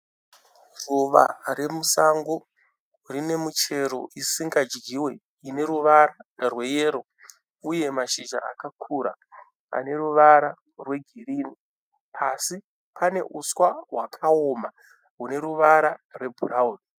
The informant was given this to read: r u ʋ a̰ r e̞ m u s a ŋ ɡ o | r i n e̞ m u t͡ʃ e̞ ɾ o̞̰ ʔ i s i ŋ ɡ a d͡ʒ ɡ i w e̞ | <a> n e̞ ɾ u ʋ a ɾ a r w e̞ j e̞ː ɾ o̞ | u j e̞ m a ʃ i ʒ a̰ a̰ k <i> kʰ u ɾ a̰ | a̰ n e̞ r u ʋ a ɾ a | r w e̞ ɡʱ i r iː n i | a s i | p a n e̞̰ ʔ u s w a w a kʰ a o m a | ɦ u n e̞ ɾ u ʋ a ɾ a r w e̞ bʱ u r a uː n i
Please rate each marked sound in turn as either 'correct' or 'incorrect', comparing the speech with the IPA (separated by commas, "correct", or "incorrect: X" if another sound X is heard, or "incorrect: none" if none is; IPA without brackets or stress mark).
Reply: incorrect: i, incorrect: a